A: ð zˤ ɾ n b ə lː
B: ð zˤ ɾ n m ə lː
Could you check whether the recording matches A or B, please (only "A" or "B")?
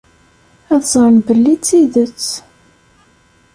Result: A